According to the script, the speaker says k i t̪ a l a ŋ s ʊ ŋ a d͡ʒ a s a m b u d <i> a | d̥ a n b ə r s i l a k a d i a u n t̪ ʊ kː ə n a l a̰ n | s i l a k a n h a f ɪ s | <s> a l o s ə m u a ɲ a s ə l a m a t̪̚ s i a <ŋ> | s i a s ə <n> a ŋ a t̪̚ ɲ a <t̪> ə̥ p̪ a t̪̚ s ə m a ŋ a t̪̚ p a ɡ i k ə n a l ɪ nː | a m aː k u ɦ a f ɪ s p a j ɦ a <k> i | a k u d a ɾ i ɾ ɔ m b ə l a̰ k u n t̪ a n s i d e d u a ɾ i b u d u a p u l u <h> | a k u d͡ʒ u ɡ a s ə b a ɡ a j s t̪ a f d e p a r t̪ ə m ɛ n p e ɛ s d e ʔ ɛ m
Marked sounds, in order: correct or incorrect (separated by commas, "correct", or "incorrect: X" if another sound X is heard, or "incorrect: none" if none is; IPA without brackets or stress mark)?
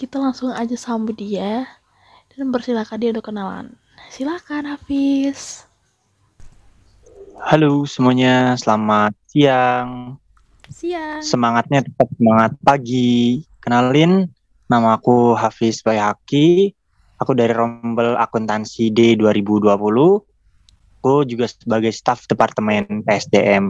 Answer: correct, incorrect: h, correct, incorrect: m, correct, correct, correct